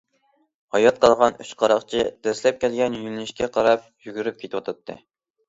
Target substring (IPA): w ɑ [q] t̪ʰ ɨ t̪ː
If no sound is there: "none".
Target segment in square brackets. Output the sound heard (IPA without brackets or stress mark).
none